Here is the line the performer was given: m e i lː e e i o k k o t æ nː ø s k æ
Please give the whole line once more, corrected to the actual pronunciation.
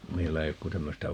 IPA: m e i lː æ e i o k k u t æ mː ø s t æ